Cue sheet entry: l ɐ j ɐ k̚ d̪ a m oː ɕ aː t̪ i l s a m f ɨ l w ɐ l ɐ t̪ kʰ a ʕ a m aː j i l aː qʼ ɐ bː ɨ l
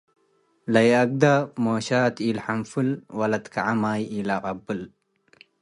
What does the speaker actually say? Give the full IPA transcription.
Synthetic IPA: l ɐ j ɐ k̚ d̪ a m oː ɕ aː t̪ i l ħ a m f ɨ l w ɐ l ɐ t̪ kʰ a ʕ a m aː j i l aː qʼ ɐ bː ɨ l